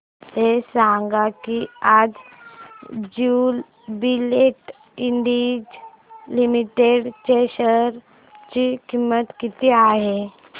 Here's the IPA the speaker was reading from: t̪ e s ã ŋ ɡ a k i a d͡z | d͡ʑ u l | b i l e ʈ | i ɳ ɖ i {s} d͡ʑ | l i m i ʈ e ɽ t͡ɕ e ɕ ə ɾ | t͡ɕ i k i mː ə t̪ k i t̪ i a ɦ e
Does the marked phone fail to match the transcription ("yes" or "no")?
yes